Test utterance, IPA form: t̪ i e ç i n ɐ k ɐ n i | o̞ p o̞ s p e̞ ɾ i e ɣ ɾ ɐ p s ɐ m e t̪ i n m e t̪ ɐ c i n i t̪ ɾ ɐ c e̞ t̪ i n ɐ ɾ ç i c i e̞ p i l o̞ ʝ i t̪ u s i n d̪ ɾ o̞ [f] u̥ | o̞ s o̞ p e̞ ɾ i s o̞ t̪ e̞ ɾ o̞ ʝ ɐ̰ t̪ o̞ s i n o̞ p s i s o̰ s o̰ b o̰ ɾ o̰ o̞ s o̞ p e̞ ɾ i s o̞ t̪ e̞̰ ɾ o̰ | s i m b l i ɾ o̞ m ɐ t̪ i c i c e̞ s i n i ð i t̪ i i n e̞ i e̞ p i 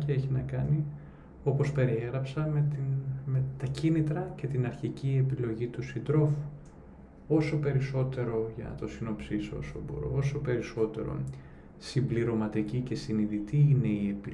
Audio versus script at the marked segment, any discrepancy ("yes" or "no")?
no